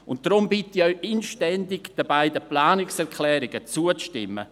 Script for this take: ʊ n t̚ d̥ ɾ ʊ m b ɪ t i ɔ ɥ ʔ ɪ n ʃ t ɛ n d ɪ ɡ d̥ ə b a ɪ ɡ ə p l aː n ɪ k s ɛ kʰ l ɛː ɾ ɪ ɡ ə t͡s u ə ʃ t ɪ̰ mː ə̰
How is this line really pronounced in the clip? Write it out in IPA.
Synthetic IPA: ʊ n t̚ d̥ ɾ ʊ m b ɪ t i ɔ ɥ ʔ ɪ n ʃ t ɛ n d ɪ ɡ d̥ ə b a ɪ d ə p l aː n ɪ k s ɛ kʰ l ɛː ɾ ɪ ɡ ə t͡s u ə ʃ t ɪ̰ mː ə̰